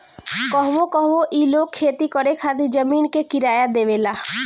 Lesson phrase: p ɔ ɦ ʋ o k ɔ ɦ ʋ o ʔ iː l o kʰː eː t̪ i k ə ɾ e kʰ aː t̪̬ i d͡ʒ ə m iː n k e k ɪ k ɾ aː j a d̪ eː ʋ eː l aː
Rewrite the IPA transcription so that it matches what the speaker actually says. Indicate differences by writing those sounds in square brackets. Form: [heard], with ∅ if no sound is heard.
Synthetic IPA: [k] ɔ ɦ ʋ o k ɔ ɦ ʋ o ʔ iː l o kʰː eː t̪ i k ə ɾ e kʰ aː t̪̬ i d͡ʒ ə m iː n k e k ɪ [∅] ɾ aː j a d̪ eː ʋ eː l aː